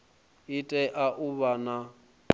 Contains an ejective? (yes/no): yes